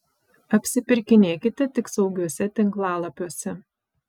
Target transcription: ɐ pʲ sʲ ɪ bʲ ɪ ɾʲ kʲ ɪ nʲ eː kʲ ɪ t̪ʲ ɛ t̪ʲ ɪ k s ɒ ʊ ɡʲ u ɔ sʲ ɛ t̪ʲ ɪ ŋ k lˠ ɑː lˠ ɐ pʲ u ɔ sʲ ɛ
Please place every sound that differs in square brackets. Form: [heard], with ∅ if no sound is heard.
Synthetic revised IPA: ɐ pʲ sʲ ɪ [pʲ] ɪ ɾʲ kʲ ɪ nʲ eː kʲ ɪ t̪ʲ ɛ t̪ʲ ɪ k s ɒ ʊ ɡʲ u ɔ sʲ ɛ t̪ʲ ɪ ŋ k lˠ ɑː lˠ ɐ pʲ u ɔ sʲ ɛ

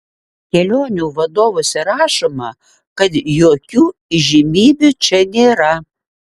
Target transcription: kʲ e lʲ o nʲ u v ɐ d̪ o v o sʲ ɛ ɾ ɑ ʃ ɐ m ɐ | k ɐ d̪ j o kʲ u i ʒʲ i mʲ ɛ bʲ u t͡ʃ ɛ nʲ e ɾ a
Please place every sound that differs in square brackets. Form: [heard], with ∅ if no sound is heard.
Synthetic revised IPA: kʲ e lʲ o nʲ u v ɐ d̪ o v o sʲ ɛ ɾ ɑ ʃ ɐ m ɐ | k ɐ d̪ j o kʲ u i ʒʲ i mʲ [i] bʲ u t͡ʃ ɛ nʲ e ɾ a

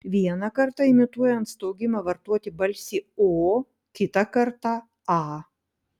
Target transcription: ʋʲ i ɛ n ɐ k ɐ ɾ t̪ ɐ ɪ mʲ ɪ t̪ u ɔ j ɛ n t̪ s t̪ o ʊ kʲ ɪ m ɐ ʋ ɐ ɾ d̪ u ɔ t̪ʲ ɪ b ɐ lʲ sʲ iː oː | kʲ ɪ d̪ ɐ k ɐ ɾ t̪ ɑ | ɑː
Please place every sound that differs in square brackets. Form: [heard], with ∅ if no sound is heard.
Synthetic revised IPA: ʋʲ i ɛ n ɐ k ɐ ɾ t̪ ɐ ɪ mʲ ɪ t̪ u ɔ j ɛ n t̪ s t̪ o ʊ [ɡʲ] ɪ m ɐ ʋ ɐ ɾ [t̪] u ɔ t̪ʲ ɪ b ɐ lʲ sʲ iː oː | kʲ ɪ [t̪] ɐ k ɐ ɾ t̪ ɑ | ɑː

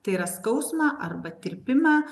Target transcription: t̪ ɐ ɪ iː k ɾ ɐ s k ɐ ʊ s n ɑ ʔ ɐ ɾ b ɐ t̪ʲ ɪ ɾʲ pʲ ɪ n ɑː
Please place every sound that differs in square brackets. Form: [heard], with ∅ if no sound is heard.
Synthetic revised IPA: t̪ ɐ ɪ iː [∅] ɾ ɐ s k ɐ ʊ s [m] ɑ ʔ ɐ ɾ b ɐ t̪ʲ ɪ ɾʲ pʲ ɪ [m] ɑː

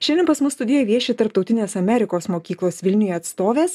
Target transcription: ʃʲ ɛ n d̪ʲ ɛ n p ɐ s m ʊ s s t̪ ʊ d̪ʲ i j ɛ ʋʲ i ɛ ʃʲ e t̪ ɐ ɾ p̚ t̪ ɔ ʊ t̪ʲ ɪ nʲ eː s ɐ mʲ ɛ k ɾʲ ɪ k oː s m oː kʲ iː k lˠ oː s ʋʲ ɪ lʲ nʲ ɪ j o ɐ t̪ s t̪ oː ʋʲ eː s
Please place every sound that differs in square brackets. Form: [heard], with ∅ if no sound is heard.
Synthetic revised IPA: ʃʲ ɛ n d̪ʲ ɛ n p ɐ s m ʊ s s t̪ ʊ d̪ʲ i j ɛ ʋʲ i ɛ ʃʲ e t̪ ɐ ɾ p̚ t̪ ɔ ʊ t̪ʲ ɪ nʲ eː s ɐ mʲ ɛ [∅] ɾʲ ɪ k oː s m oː kʲ iː k lˠ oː s ʋʲ ɪ lʲ nʲ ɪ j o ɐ t̪ s t̪ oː ʋʲ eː s

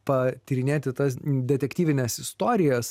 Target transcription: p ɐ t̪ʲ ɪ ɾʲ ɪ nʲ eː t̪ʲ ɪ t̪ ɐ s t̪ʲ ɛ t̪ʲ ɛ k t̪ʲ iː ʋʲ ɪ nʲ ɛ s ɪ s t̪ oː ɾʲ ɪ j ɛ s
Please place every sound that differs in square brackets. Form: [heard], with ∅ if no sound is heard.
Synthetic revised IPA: p ɐ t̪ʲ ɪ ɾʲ ɪ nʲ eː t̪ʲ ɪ t̪ ɐ s [d̪ʲ] ɛ t̪ʲ ɛ k t̪ʲ iː ʋʲ ɪ nʲ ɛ s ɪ s t̪ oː ɾʲ ɪ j ɛ s

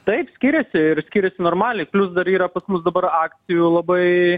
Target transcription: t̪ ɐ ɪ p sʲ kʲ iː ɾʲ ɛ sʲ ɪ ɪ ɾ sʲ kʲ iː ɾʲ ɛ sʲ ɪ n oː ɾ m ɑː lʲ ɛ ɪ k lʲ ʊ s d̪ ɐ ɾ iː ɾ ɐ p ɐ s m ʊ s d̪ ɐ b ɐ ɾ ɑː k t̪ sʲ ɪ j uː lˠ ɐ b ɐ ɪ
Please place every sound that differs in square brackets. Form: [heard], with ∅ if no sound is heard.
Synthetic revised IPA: t̪ ɐ ɪ p sʲ kʲ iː ɾʲ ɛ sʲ ɪ ɪ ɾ sʲ kʲ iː ɾʲ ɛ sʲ ɪ n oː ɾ m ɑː lʲ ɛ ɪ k lʲ ʊ s d̪ ɐ ɾ iː ɾ ɐ p ɐ s m ʊ s d̪ ɐ b ɐ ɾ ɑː k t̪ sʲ ɪ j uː lˠ ɐ b ɐ ɪ

